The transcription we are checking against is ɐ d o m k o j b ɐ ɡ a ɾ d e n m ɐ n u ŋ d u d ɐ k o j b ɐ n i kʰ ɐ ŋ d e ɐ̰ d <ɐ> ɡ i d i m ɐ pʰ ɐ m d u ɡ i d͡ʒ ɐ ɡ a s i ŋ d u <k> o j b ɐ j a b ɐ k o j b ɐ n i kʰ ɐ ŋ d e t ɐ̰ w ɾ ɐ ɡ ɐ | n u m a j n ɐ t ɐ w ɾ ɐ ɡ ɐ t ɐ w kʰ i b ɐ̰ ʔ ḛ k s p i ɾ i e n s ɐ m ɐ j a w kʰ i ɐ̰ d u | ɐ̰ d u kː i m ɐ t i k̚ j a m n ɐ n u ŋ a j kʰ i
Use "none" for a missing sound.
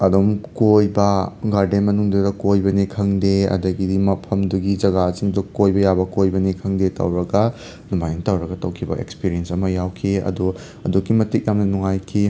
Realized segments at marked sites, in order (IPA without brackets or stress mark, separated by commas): ɐ, k